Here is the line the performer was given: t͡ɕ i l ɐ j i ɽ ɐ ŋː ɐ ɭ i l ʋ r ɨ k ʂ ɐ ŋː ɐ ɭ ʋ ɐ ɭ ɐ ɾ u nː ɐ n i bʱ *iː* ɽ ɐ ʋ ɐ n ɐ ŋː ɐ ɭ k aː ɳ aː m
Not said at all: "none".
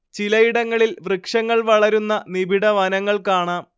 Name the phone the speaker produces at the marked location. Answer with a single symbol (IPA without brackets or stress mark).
i